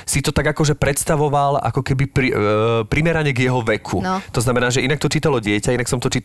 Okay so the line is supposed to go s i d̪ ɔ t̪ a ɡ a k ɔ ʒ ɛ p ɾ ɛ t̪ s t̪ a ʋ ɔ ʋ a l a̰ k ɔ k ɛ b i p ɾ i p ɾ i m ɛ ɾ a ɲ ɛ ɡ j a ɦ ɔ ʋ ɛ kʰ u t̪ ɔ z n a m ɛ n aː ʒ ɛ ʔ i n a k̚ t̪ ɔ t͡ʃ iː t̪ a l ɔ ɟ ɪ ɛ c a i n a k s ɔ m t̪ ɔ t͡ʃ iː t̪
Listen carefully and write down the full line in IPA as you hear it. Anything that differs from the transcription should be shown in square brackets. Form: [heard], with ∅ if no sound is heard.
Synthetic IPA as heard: s i [t̪] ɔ t̪ a ɡ a k ɔ ʒ ɛ p ɾ ɛ t̪ s t̪ a ʋ ɔ ʋ a l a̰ k ɔ k ɛ b i p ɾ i p ɾ i m ɛ ɾ a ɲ ɛ ɡ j [ɛ] ɦ ɔ ʋ ɛ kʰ u t̪ ɔ z n a m ɛ n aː ʒ ɛ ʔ i n a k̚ t̪ ɔ t͡ʃ iː t̪ a l ɔ ɟ ɪ ɛ c a i n a k s ɔ m t̪ ɔ t͡ʃ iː t̪